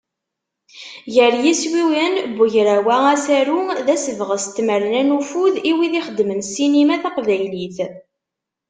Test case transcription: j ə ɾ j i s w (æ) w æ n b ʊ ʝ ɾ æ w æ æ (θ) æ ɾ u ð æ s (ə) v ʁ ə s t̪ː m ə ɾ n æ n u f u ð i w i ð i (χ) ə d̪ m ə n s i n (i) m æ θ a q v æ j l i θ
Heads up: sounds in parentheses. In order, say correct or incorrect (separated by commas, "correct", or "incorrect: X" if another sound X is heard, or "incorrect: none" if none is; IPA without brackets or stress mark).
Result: incorrect: i, incorrect: s, correct, correct, correct